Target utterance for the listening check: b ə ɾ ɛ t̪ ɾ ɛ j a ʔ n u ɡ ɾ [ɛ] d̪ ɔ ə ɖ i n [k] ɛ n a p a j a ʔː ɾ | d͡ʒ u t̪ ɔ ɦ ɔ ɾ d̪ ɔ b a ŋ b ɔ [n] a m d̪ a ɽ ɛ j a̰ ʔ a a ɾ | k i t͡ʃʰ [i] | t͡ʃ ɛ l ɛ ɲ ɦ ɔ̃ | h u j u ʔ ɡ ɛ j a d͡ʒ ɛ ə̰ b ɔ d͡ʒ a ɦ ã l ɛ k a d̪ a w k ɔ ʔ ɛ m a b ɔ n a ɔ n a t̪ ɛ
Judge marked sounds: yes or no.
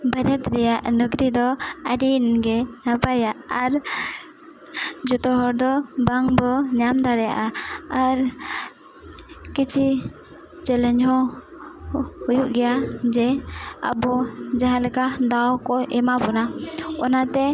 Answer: no, no, no, yes

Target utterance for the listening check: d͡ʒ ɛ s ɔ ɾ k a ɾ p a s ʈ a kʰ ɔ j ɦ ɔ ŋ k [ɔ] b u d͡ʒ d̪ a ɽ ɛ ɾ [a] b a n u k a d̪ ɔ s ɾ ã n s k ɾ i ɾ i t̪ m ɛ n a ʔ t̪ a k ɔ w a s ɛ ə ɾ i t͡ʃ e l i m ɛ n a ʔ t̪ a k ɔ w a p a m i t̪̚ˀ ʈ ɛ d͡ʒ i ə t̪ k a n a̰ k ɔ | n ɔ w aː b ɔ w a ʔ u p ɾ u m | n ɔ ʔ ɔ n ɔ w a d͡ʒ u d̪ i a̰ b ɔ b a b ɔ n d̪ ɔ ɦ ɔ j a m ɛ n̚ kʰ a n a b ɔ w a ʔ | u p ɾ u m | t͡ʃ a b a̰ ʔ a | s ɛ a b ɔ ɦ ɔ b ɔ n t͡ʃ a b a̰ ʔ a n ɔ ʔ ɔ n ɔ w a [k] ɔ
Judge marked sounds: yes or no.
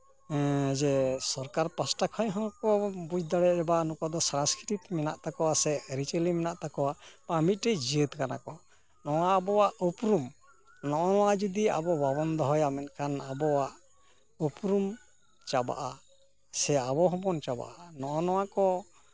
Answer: yes, no, yes

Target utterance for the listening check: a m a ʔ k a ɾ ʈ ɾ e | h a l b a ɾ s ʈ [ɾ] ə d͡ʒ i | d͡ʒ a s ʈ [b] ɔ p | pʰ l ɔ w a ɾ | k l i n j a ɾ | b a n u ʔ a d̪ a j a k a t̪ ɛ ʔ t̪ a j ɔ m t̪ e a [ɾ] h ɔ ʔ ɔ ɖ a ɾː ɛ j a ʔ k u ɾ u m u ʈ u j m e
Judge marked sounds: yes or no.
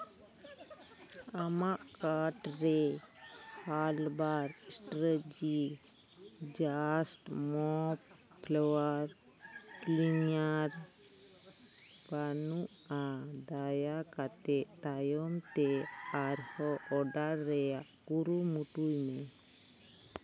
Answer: yes, no, yes

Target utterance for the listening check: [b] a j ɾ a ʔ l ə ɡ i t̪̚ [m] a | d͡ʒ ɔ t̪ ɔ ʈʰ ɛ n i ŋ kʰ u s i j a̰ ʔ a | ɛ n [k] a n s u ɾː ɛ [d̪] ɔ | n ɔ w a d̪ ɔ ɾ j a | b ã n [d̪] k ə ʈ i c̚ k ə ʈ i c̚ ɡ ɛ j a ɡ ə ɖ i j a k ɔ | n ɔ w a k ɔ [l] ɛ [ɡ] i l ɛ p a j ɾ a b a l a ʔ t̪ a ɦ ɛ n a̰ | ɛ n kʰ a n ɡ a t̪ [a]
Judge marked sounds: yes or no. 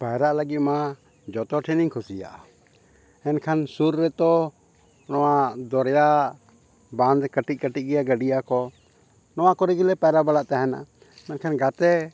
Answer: no, yes, no, no, yes, no, yes, no

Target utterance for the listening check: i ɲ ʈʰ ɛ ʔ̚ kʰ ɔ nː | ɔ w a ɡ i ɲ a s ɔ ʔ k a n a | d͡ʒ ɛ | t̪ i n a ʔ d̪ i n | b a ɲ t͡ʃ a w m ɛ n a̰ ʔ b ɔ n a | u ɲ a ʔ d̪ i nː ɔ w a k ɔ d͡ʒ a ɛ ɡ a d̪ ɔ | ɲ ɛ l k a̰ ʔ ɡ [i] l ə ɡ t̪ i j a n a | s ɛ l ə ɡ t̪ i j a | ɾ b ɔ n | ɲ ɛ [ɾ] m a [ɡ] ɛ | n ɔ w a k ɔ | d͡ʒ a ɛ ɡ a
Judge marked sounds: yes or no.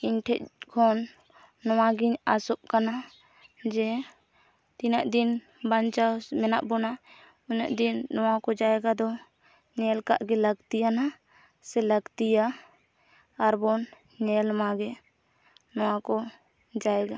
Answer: no, no, yes

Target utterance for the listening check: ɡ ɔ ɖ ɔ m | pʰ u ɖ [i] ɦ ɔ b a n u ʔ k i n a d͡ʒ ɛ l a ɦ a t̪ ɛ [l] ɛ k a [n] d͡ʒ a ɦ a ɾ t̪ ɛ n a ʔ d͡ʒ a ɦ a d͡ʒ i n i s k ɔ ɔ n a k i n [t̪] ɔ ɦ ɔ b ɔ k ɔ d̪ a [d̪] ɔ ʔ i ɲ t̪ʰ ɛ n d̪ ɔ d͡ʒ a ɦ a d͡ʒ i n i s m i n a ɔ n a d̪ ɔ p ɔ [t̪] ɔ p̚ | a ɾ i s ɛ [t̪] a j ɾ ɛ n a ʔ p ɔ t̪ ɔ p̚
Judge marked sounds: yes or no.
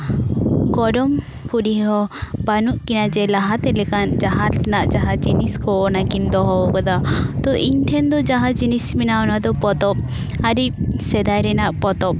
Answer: yes, yes, yes, no, no, yes, no

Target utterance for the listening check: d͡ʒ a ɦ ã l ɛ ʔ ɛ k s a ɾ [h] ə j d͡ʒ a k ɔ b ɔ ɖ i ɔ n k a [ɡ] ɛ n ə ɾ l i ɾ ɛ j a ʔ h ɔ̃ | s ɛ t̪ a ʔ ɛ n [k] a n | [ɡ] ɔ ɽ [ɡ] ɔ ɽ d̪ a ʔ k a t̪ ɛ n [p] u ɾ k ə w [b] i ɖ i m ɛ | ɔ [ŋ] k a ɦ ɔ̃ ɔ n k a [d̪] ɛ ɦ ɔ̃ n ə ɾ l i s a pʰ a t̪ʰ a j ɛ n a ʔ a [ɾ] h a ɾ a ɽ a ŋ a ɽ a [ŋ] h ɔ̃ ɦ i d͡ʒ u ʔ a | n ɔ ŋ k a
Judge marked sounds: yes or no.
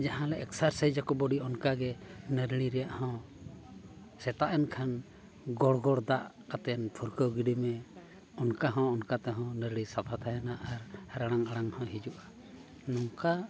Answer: no, yes, no, yes, yes, no, no, no, no, yes, yes

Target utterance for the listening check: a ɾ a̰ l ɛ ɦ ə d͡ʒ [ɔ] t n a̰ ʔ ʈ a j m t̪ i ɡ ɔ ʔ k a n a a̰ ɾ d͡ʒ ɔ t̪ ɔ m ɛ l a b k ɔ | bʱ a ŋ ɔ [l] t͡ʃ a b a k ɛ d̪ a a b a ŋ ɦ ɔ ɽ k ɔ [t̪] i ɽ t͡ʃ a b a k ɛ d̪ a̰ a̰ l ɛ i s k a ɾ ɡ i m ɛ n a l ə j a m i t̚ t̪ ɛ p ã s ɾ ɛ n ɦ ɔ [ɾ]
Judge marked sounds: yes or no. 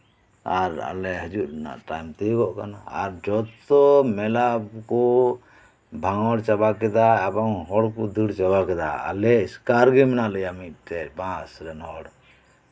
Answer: no, no, no, no

